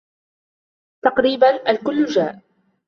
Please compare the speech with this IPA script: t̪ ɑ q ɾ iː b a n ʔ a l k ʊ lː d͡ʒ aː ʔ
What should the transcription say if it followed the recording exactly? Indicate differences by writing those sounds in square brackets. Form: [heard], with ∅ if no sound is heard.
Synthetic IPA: t̪ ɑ q ɾ iː b a n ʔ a l k ʊ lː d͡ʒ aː ʔ